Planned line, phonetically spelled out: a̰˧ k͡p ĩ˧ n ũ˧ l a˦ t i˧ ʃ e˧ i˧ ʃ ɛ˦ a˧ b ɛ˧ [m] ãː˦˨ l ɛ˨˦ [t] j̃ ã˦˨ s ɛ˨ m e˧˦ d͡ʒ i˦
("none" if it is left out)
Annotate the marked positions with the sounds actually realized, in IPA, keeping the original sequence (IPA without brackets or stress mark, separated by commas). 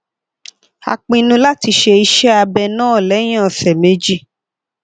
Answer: n, none